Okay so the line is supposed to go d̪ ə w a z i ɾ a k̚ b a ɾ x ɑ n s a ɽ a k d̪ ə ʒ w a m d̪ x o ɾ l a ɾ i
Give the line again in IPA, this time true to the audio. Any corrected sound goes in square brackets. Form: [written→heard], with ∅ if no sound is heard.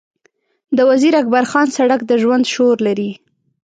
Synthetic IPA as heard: d̪ ə w a z i ɾ a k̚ b a ɾ x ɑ n s a ɽ a k d̪ ə ʒ w a [m→n] d̪ [x→ʃ] o ɾ l a ɾ i